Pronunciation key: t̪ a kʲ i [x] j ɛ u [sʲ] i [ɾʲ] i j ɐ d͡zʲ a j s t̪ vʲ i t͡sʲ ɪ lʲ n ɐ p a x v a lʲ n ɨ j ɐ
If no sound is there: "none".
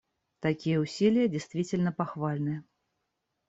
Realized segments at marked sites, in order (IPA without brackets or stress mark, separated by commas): none, sʲ, lʲ